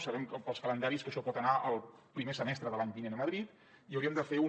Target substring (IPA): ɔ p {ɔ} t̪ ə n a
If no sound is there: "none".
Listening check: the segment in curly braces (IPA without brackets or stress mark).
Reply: ɔ